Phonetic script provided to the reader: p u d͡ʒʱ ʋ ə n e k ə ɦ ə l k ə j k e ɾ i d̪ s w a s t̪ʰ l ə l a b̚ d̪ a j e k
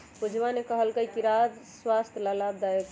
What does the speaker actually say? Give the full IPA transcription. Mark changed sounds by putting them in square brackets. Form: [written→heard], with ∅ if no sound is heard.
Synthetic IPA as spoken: p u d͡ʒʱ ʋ [ə→a] n e k ə ɦ ə l k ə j k [e→i] ɾ [i→a] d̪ s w a s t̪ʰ l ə l a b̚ d̪ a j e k